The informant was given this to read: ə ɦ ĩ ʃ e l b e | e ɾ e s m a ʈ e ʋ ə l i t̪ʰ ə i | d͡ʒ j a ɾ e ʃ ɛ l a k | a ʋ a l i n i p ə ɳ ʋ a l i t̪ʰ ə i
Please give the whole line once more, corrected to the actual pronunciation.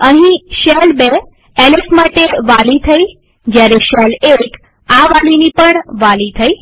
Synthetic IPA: ə ɦ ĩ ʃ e l b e | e l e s m a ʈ e ʋ a l i t̪ʰ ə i | d͡ʒ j a ɾ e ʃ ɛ l e k | a ʋ a l i n i p ə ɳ ʋ a l i t̪ʰ ə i